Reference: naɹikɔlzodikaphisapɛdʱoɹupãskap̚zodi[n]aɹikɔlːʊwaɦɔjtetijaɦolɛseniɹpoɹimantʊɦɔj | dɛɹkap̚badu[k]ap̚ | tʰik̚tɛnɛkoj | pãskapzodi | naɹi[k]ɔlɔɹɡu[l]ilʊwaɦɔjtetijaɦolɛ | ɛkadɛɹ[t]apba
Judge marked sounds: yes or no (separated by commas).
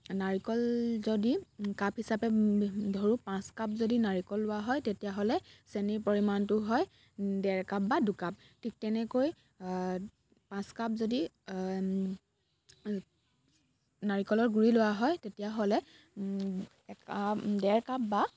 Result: yes, yes, yes, no, no